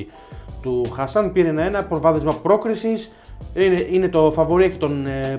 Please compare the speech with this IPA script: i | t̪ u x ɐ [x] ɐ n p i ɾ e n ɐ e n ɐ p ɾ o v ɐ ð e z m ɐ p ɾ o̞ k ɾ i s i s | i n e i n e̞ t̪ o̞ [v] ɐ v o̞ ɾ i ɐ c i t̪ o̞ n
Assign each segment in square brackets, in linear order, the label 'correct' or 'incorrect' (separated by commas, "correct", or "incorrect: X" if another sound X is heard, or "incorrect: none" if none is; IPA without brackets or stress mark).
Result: incorrect: s, incorrect: f